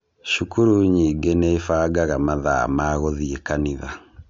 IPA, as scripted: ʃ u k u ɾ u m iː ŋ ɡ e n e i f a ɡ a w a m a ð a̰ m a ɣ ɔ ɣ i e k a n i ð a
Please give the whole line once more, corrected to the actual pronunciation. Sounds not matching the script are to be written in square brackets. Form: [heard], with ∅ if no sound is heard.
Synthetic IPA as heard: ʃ u k u ɾ u [ɲ] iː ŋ ɡ e n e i f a ɡ a [ɣ] a m a ð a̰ m a ɣ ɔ [ð] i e k a n i ð a